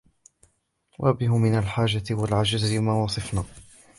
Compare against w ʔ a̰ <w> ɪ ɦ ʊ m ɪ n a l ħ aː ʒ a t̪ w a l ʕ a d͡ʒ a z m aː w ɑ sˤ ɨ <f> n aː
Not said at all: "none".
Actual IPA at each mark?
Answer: b, f

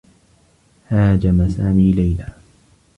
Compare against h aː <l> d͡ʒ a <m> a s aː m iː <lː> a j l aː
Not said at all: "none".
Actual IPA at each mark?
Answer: none, m, l

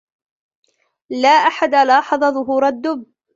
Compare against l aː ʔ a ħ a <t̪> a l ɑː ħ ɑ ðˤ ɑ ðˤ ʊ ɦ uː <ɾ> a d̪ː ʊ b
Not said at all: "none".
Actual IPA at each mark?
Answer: d̪, ɾ

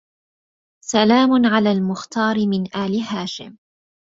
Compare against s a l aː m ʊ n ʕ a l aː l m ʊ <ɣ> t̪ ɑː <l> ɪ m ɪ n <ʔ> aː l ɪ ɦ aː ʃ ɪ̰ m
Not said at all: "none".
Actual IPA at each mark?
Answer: x, ɾ, ʔ

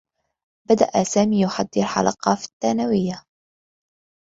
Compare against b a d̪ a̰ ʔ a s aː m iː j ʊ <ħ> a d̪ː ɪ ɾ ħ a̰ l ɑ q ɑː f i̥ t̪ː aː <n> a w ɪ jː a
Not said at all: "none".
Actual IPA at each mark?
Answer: ħ, n

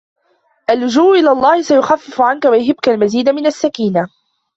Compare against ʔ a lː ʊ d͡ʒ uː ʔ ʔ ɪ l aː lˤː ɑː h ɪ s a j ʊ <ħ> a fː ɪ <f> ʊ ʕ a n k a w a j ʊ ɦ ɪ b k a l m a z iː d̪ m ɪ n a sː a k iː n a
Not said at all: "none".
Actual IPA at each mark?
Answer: x, f

